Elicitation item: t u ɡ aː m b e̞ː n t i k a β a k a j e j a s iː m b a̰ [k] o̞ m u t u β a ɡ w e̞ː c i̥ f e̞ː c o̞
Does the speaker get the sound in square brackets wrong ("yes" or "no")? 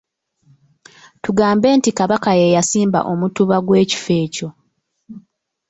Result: yes